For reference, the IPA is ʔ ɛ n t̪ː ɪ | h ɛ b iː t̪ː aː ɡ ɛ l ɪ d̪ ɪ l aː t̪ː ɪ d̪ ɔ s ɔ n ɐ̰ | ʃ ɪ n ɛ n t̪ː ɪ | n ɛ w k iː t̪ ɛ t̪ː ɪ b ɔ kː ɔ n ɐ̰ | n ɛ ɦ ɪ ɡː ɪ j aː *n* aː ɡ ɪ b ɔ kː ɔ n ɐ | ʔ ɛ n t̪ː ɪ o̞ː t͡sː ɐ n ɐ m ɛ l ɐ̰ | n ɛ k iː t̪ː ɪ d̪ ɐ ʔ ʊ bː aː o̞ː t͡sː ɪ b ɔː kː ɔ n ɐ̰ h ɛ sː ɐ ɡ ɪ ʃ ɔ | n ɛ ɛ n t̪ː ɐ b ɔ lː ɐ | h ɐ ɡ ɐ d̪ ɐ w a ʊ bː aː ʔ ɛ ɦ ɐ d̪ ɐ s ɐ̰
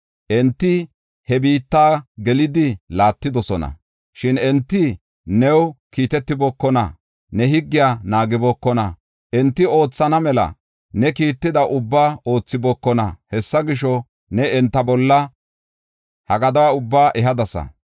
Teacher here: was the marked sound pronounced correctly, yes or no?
yes